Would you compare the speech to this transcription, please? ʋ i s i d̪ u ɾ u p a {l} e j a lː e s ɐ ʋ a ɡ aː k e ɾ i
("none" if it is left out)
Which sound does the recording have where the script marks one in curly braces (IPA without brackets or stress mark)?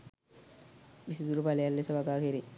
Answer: l